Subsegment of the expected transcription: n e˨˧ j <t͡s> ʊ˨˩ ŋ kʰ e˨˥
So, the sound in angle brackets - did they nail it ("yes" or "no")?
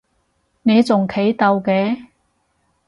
yes